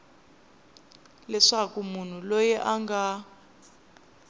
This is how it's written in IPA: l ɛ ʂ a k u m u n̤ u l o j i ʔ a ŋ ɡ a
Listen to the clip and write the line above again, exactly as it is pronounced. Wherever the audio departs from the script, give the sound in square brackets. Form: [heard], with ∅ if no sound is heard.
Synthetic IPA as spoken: l ɛ ʂ a k u m u n̤ u l o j [ɛ] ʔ a ŋ ɡ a